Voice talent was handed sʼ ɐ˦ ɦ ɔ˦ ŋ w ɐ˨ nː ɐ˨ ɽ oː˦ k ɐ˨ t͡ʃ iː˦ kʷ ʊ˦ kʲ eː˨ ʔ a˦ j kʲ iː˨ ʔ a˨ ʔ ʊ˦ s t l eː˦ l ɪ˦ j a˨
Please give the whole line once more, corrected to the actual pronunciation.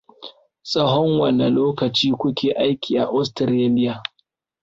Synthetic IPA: sʼ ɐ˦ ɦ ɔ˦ ŋ w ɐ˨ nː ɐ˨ l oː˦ k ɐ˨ t͡ʃ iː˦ kʷ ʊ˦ kʲ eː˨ ʔ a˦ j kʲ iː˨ ʔ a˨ ʔ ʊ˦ s t ɾ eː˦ l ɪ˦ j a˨